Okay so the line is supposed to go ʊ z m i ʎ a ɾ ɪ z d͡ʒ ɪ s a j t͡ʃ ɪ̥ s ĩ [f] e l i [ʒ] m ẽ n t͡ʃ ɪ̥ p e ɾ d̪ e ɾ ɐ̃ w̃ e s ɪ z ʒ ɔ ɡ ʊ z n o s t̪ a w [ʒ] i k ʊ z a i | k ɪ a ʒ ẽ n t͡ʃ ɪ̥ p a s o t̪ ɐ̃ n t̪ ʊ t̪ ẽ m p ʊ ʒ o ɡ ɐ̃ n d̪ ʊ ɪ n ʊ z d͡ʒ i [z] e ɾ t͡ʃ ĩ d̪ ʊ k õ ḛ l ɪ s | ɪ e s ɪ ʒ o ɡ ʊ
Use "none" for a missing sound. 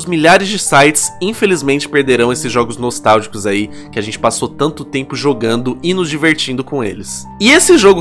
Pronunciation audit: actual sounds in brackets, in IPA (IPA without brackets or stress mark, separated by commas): f, z, ʒ, v